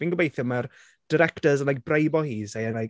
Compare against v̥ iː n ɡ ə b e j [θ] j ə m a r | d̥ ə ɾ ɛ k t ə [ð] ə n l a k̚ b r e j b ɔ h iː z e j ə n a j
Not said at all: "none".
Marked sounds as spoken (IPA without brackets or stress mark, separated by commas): θ, z